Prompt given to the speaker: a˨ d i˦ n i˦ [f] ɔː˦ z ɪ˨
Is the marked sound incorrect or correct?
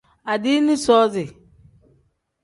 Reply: incorrect: s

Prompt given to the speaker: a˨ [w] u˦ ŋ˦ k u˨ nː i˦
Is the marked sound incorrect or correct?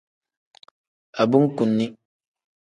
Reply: incorrect: b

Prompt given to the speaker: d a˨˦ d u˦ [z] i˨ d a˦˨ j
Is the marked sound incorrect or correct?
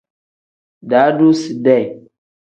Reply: incorrect: s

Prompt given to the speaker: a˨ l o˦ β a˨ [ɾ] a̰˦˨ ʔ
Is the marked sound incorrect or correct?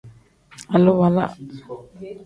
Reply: incorrect: l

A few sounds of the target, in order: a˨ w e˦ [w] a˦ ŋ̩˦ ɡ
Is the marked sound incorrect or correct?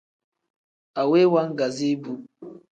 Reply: correct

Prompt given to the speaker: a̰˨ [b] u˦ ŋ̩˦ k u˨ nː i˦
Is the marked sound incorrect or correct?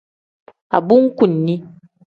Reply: correct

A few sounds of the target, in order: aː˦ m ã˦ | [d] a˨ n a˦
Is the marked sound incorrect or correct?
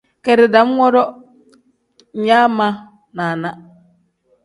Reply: incorrect: n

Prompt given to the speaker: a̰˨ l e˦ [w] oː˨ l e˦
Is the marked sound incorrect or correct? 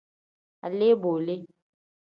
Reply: incorrect: b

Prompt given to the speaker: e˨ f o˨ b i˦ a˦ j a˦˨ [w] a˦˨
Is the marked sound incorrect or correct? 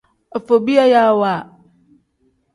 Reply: correct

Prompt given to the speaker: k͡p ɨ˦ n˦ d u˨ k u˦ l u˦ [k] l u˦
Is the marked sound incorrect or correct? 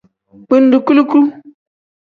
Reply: correct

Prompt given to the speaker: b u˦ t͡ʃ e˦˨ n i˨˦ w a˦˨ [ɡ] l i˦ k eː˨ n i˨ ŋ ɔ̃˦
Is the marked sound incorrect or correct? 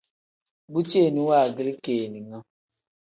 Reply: correct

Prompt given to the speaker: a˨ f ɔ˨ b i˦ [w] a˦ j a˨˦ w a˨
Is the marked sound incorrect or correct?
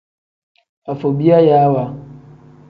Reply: incorrect: none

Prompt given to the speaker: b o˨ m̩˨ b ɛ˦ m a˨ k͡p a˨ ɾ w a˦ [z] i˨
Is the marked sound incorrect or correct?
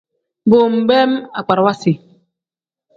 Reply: incorrect: s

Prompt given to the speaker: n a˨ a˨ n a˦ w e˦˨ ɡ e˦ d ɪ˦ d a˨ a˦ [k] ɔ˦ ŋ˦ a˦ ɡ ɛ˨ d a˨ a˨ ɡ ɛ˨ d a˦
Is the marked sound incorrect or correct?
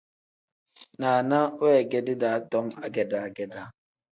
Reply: incorrect: t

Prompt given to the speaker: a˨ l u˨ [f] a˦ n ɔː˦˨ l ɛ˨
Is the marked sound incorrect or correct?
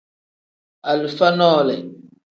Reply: correct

